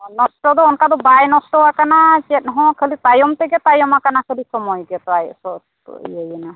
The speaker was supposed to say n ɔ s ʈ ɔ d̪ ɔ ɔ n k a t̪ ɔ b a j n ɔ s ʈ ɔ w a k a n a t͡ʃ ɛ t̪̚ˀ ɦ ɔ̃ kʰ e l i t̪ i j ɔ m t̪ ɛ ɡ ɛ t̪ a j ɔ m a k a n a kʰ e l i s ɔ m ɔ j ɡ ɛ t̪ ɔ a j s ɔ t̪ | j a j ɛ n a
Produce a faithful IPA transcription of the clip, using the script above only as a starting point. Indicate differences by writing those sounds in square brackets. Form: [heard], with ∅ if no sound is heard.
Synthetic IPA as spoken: n ɔ s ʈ ɔ d̪ ɔ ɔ n k a [d̪] ɔ b a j n ɔ s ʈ ɔ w a k a n a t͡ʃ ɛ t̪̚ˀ ɦ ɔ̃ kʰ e l i t̪ [a] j ɔ m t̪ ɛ ɡ ɛ t̪ a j ɔ m a k a n a kʰ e l i s ɔ m ɔ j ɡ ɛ t̪ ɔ a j s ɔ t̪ | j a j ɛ n a

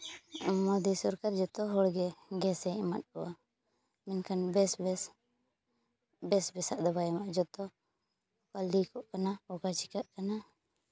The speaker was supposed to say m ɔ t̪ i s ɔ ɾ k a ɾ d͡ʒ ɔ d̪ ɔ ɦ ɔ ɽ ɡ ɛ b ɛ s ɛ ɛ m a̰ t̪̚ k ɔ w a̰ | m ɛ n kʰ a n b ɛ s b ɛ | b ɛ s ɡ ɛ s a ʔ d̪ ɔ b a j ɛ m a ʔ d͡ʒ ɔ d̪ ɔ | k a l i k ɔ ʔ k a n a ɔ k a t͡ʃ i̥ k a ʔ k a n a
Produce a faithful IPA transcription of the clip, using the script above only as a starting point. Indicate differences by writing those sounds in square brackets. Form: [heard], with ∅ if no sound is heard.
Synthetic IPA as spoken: m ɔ [d̪] i s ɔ ɾ k a ɾ d͡ʒ ɔ [t̪] ɔ ɦ ɔ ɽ ɡ ɛ [ɡ] ɛ s ɛ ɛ m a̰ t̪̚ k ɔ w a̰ | m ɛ n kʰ a n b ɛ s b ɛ | b ɛ s [b] ɛ s a ʔ d̪ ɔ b a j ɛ m a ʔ d͡ʒ ɔ [t̪] ɔ | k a l i k ɔ ʔ k a n a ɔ k a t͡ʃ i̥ k a ʔ k a n a

